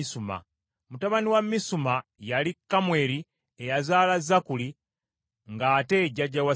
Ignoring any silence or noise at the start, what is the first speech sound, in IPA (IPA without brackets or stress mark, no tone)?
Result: s